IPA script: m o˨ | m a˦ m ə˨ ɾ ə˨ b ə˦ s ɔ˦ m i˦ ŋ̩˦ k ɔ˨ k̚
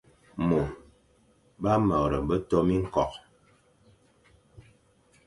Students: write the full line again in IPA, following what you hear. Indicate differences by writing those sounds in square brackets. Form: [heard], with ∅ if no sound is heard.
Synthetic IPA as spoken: m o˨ | [b] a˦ m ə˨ ɾ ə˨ b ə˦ [t] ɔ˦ m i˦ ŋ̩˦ k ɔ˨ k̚